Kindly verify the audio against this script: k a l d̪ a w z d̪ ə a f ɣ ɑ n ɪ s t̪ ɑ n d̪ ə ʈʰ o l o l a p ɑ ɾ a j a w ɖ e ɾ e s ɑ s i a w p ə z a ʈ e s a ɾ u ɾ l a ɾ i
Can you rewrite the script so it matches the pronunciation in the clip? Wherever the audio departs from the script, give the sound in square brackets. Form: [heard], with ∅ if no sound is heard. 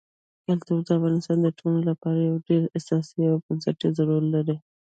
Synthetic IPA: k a l [t̪] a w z d̪ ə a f ɣ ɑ n ɪ s t̪ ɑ n d̪ ə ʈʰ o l o l a p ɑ ɾ a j a w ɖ e ɾ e s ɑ s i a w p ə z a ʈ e [z] a ɾ u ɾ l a ɾ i